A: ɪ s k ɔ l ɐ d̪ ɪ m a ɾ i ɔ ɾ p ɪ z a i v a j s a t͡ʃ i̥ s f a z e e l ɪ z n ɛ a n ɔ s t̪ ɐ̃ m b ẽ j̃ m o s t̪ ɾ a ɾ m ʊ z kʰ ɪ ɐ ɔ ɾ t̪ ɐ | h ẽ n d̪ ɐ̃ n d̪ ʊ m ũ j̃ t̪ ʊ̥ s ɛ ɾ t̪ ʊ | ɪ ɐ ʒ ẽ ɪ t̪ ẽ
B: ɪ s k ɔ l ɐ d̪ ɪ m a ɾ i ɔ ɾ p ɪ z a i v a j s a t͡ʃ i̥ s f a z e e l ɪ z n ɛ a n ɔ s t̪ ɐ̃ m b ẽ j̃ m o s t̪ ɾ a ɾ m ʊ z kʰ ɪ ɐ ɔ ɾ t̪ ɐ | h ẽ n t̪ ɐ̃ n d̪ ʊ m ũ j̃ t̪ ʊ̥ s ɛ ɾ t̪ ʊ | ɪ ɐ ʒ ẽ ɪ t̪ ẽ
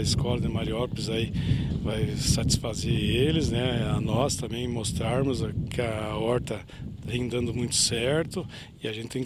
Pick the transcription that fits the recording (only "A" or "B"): A